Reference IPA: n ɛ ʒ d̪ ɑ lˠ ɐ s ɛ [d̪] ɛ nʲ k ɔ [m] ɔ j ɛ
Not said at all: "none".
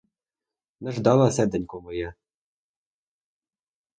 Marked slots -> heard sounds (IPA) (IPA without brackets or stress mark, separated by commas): d̪, m